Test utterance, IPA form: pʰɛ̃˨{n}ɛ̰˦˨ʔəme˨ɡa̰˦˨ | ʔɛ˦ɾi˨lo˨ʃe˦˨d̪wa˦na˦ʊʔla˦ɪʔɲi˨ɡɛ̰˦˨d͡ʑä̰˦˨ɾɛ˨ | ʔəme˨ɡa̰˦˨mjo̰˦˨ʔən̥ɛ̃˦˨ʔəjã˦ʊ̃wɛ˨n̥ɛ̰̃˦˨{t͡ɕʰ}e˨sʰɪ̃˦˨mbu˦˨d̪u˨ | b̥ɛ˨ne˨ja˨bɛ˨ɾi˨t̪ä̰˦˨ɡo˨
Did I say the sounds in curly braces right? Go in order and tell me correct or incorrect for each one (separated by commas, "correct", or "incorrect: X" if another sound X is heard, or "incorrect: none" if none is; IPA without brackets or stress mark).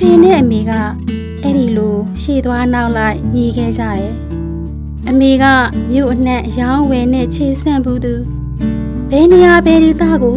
correct, correct